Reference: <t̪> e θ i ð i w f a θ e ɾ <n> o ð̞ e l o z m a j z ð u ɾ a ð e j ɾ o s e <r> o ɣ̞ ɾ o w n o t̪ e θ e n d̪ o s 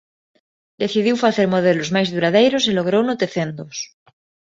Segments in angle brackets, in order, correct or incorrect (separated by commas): incorrect, incorrect, incorrect